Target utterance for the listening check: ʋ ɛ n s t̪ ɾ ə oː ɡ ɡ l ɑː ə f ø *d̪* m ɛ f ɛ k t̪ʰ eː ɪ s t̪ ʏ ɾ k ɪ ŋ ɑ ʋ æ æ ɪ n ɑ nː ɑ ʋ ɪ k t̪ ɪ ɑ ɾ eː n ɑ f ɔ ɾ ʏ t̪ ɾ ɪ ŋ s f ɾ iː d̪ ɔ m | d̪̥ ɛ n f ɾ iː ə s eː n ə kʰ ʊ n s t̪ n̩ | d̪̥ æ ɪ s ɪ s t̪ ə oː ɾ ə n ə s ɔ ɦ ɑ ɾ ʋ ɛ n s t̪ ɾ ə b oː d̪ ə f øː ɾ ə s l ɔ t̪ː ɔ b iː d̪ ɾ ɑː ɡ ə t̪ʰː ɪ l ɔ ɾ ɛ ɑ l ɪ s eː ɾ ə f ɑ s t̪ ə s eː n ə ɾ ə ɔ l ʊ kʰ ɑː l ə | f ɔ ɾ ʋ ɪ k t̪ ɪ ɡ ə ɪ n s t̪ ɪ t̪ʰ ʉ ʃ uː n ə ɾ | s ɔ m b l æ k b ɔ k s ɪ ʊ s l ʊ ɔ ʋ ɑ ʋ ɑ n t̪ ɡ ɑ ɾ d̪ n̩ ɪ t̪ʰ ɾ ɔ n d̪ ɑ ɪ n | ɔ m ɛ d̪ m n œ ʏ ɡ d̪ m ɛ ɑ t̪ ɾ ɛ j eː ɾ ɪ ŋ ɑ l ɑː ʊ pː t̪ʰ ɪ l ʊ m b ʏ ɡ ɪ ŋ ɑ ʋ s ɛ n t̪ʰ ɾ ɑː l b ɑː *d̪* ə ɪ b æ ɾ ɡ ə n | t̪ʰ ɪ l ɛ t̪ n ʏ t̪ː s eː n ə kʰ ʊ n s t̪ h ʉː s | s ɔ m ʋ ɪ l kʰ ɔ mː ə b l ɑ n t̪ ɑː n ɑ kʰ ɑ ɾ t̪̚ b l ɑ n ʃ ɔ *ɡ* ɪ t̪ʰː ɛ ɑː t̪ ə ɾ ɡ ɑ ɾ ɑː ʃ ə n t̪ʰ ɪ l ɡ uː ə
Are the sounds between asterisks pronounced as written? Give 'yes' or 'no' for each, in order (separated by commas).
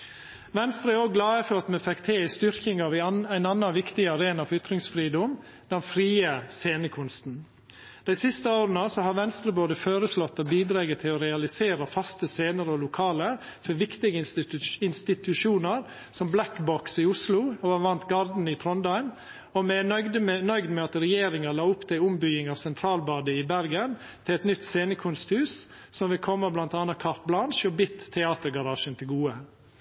no, yes, no